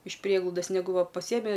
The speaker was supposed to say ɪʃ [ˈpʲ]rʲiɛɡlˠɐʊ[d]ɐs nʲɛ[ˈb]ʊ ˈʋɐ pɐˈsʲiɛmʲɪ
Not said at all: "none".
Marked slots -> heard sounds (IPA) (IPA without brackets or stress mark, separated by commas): pʲ, d, ɡ